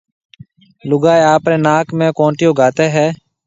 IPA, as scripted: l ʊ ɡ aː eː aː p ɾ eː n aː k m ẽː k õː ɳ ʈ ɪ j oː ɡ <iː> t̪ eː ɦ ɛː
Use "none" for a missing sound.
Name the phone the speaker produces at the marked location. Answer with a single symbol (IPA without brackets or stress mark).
aː